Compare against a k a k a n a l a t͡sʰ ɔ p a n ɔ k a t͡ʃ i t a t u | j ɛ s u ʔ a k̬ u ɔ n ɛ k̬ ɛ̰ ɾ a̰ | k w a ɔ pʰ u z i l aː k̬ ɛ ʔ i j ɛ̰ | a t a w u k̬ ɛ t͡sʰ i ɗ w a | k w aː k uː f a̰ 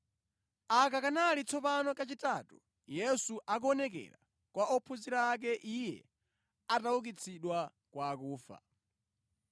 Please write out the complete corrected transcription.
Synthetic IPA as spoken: a k a k a n a l i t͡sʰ ɔ p a n ɔ k a t͡ʃ i t a t u | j ɛ s u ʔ a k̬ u ɔ n ɛ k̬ ɛ̰ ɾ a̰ | k w a ɔ pʰ u z i ɾ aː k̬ ɛ ʔ i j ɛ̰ | a t a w u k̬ i t͡sʰ i ɗ w a | k w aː k uː f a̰